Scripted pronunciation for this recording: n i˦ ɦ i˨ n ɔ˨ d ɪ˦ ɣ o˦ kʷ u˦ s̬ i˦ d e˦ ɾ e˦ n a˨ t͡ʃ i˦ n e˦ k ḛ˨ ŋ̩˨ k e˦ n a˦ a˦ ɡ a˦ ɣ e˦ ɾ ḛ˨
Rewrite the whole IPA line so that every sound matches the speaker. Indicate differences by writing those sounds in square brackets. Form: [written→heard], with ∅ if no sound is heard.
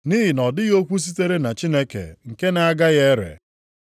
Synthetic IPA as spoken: n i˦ ɦ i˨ n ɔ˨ d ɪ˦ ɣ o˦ kʷ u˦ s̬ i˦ [d→t] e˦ ɾ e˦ n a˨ t͡ʃ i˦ n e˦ k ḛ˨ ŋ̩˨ k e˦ n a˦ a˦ ɡ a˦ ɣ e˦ ɾ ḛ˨